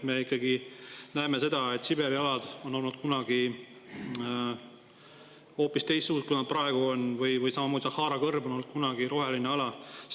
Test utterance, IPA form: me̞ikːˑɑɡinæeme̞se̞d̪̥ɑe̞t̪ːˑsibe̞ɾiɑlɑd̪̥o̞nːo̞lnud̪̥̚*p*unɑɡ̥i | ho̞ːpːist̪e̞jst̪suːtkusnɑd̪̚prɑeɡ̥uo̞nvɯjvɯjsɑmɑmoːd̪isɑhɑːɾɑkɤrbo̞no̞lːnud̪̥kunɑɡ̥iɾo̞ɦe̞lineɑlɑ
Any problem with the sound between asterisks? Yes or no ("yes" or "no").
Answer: yes